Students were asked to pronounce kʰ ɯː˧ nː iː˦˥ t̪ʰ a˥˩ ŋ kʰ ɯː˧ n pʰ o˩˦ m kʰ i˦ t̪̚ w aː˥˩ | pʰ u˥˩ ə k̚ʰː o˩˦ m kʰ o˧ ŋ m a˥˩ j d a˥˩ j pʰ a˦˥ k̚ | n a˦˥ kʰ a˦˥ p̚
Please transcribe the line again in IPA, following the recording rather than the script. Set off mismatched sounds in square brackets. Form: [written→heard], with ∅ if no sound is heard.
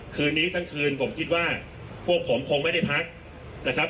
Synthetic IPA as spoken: kʰ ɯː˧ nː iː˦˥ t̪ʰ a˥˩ ŋ kʰ ɯː˧ n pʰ o˩˦ m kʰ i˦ t̪̚ w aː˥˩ | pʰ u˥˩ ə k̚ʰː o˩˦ m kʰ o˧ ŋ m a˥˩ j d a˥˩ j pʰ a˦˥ k̚ | n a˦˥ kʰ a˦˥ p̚

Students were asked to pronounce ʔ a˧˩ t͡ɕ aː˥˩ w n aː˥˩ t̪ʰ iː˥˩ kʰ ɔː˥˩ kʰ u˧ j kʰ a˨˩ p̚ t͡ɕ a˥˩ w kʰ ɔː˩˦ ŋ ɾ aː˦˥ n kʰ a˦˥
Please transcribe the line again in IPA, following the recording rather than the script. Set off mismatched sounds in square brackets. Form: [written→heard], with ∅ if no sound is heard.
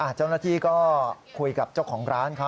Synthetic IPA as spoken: ʔ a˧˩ t͡ɕ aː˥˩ w n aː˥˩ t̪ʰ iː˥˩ [kʰ→k] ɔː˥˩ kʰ u˧ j [kʰ→k] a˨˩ p̚ t͡ɕ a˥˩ w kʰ ɔː˩˦ ŋ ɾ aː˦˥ n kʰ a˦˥

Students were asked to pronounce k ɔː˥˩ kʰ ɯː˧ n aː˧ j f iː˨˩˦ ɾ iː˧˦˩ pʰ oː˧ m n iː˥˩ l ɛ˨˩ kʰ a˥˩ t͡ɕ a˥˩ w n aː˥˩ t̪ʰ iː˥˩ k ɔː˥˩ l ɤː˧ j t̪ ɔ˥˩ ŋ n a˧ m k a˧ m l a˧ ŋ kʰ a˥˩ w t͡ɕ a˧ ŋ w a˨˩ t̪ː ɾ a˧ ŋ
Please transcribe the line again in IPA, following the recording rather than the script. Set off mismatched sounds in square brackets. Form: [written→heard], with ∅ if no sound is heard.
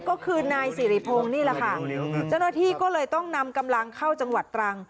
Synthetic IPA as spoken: k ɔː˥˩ kʰ ɯː˧ n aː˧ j [f→s] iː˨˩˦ ɾ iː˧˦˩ pʰ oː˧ [m→ŋ] n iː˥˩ l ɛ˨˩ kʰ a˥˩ t͡ɕ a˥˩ w n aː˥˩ t̪ʰ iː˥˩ k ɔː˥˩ l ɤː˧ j t̪ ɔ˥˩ ŋ n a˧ m k a˧ m l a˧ ŋ kʰ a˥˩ w t͡ɕ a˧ ŋ w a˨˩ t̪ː ɾ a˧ ŋ

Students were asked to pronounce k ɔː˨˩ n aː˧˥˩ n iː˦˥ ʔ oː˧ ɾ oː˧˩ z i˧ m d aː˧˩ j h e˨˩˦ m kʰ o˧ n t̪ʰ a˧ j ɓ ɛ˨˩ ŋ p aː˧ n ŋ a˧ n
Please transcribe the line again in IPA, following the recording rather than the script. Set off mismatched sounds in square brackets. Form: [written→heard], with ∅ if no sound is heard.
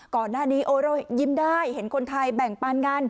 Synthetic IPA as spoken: k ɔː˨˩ n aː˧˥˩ n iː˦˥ ʔ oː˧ ɾ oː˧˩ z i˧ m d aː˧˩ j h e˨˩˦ [m→n] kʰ o˧ n t̪ʰ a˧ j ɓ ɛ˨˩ ŋ p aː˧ n ŋ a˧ n

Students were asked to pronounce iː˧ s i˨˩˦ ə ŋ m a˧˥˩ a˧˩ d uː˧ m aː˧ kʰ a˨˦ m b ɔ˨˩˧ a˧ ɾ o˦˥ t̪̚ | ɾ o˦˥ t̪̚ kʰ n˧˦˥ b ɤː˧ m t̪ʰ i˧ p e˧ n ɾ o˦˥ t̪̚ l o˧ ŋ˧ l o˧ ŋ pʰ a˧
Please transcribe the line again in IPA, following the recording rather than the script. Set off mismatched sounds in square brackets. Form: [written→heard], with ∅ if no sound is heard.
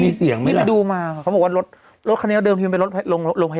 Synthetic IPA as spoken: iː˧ s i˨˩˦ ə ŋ m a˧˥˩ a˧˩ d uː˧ m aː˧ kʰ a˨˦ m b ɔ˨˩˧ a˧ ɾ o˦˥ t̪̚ | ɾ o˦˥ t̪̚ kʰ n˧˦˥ [b→d] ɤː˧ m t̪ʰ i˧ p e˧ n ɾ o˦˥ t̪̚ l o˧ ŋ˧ l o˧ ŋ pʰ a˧

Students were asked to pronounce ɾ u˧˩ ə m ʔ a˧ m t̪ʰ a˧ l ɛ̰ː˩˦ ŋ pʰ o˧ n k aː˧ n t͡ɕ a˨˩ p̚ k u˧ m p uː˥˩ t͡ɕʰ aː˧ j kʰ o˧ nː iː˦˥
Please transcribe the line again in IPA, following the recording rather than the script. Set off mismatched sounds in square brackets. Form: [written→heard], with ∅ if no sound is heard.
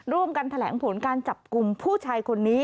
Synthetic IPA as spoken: ɾ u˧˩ ə m [ʔ→k] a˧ [m→n] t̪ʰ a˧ l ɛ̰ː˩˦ ŋ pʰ [o˧→o˩˦] n k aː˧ n t͡ɕ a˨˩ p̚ k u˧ m [p→pʰ] uː˥˩ t͡ɕʰ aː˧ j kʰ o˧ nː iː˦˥

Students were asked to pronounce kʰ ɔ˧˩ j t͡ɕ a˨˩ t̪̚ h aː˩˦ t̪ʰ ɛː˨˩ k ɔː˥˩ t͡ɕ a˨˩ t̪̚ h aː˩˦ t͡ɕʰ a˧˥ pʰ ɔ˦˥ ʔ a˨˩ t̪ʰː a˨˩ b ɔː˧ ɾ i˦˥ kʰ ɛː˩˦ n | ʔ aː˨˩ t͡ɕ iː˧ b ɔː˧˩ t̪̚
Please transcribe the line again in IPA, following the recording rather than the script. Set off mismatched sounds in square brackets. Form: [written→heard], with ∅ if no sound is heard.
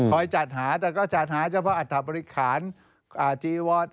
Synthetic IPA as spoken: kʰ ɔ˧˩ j t͡ɕ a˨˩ t̪̚ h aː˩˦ [t̪ʰ→t̪] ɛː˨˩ k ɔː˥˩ t͡ɕ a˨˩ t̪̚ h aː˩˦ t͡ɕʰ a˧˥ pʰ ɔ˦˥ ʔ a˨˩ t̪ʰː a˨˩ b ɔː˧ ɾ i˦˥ kʰ [ɛː˩˦→aː˩˦] n | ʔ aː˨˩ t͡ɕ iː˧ [b→w] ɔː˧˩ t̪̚

